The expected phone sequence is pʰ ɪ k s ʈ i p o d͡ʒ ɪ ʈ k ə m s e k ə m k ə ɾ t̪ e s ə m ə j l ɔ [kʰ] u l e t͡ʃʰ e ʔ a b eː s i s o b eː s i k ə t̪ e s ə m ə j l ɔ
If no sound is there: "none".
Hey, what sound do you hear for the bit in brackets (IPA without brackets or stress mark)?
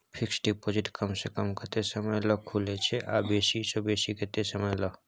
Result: kʰ